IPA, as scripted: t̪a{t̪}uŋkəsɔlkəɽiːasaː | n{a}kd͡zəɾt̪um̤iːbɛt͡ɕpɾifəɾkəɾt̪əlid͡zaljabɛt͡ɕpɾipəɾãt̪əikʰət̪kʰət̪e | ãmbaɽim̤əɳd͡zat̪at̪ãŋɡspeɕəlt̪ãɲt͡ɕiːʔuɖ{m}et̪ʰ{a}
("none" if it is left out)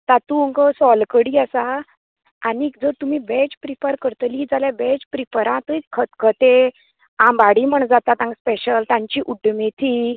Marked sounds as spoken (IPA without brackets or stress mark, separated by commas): t̪, i, m, i